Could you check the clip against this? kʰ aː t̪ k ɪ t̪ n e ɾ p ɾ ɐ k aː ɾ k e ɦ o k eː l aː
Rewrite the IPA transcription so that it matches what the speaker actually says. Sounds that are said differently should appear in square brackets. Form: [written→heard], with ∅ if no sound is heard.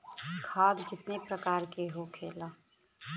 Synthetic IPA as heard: kʰ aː [t̪→d̪] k ɪ t̪ n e [ɾ→∅] p ɾ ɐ k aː ɾ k e ɦ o [k→kʰ] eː l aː